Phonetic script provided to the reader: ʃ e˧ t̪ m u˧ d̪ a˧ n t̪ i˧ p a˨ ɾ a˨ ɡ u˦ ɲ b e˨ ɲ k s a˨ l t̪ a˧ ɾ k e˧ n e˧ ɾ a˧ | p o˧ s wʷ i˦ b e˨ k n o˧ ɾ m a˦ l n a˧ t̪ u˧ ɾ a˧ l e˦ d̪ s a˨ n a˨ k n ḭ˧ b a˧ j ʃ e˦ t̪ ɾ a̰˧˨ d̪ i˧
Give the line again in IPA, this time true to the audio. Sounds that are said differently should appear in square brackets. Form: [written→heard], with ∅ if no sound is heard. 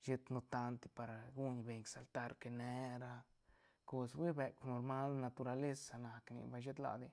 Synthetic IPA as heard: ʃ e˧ t̪ [m→n] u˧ [d̪→t̪] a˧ n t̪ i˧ p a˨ ɾ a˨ ɡ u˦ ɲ b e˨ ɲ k s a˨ l t̪ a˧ ɾ k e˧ n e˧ ɾ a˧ | [p→k] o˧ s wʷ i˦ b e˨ k n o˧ ɾ m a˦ l n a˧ t̪ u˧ ɾ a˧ l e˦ [d̪→∅] s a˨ n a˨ k n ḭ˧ b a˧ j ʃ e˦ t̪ [ɾ→l] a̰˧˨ d̪ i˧